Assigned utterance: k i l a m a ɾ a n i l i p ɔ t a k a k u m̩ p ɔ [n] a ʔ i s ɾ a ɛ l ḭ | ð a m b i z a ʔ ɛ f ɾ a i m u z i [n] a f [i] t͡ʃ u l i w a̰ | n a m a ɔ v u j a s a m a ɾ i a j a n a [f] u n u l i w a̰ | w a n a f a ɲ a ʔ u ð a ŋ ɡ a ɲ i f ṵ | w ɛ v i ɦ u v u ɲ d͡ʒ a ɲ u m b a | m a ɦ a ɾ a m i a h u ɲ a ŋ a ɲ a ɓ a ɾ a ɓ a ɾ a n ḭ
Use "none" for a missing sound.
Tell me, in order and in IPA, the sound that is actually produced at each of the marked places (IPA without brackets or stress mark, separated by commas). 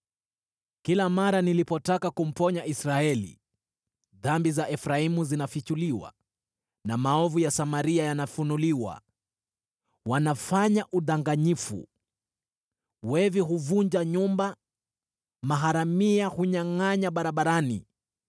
ɲ, n, i, f